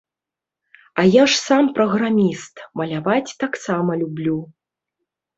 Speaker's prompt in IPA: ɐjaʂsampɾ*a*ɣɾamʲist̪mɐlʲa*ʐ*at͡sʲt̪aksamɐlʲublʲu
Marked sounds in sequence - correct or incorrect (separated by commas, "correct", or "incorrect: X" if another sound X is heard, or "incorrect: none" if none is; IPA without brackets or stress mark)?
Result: incorrect: ɐ, incorrect: v